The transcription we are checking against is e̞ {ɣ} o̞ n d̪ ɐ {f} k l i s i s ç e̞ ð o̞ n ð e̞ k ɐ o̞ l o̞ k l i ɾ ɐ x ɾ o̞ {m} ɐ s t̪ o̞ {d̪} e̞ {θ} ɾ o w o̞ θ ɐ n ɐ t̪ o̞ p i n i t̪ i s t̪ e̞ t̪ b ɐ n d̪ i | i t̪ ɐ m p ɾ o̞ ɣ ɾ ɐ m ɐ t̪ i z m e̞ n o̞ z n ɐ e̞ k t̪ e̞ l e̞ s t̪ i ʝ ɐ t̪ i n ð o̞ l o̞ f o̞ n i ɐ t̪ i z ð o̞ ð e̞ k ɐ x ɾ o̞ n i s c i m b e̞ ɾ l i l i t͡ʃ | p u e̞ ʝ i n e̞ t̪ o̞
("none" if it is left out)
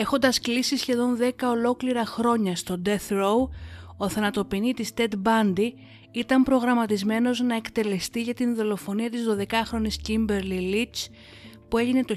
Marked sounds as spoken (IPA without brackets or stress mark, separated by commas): x, s, ɲ, d̪, θ